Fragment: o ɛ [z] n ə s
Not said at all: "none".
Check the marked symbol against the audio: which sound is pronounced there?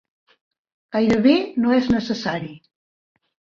z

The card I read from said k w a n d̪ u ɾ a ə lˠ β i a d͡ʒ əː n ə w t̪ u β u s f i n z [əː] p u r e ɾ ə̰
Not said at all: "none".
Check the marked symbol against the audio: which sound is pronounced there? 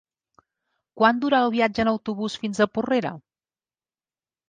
ə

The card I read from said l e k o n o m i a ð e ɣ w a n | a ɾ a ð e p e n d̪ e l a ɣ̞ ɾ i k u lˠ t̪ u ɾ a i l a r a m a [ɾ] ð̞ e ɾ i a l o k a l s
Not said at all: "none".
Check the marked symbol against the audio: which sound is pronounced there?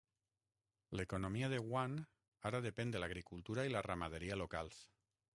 none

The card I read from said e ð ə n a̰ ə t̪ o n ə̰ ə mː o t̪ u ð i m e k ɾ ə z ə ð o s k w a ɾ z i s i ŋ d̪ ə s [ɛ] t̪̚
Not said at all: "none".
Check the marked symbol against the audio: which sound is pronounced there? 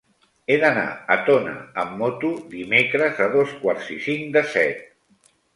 ɛ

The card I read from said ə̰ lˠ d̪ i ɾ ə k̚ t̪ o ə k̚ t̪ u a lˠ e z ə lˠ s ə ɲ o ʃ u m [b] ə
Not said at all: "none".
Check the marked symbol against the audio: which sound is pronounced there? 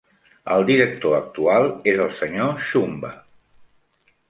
b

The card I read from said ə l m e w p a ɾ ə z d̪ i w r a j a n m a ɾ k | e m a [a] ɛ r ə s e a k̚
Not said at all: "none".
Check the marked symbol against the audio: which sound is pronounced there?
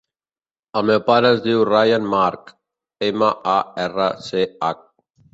a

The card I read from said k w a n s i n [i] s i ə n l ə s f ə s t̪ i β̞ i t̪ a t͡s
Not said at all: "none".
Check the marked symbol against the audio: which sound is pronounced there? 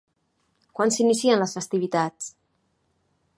i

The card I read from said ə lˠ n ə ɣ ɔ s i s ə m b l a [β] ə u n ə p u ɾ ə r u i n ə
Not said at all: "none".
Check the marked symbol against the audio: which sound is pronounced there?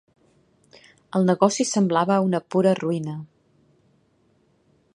β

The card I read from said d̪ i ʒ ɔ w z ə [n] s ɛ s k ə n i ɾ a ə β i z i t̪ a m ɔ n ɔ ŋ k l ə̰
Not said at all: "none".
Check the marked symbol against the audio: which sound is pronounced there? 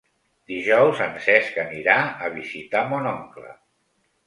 n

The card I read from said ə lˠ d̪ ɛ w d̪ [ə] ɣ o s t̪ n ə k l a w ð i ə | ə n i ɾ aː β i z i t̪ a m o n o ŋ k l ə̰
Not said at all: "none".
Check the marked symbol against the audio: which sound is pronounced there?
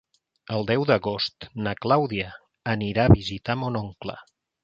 ə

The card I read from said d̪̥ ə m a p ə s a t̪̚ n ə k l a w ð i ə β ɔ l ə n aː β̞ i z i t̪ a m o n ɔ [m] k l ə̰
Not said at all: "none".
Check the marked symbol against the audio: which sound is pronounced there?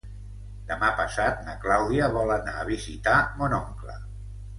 ŋ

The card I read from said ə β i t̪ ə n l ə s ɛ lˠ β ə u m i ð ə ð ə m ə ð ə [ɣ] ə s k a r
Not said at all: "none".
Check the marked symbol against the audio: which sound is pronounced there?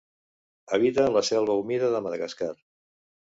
ɣ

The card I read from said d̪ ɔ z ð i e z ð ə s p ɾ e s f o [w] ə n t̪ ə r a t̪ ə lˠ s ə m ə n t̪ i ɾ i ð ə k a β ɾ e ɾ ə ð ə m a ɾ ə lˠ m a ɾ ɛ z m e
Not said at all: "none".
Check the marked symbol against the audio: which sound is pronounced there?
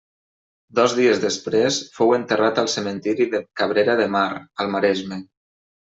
w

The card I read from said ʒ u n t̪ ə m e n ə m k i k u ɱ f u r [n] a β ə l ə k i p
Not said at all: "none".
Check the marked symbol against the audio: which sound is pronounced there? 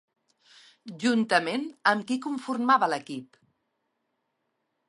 m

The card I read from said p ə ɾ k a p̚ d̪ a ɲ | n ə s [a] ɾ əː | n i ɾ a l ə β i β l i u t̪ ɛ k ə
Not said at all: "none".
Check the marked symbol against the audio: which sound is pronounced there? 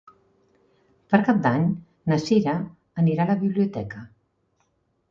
i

